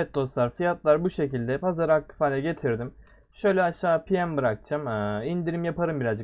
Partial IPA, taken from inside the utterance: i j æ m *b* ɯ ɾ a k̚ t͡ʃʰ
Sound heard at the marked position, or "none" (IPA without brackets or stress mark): b